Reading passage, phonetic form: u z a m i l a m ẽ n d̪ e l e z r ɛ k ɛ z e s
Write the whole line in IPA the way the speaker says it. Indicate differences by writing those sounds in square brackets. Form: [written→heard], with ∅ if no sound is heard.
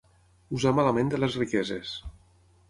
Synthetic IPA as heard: u z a m [i→a] l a m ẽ n d̪ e l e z r [ɛ→i] k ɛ z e s